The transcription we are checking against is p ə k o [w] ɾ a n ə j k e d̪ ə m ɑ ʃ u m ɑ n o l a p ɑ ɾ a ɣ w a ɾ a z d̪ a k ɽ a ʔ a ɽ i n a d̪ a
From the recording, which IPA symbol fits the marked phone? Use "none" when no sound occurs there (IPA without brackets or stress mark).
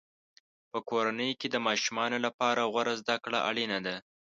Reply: none